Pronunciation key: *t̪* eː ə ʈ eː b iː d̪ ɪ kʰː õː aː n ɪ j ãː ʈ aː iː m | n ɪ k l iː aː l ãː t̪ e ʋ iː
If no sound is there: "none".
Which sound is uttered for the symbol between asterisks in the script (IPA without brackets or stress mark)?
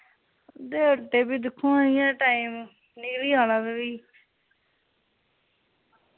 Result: d̪